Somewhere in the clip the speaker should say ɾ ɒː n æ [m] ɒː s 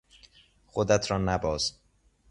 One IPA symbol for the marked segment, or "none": b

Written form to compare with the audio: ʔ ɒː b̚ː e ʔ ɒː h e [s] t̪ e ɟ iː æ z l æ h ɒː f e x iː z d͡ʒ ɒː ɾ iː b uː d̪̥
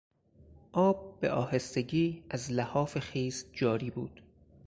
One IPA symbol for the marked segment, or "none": s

